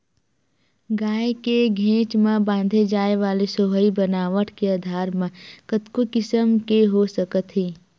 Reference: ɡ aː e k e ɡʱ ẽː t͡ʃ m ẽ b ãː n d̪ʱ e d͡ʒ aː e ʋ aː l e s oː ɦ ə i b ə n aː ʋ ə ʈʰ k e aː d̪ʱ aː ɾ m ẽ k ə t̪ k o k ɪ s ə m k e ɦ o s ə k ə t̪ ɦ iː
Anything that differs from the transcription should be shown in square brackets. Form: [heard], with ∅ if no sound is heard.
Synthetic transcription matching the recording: ɡ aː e k e ɡʱ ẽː t͡ʃ m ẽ b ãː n d̪ʱ e d͡ʒ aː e ʋ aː l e s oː ɦ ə i b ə n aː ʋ ə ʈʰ k e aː d̪ʱ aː ɾ m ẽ k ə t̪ k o k ɪ s ə m k e ɦ o s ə k ə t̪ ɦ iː